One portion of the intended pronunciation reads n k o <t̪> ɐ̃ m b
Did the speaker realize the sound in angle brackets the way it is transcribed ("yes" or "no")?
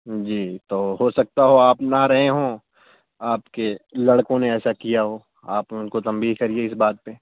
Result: yes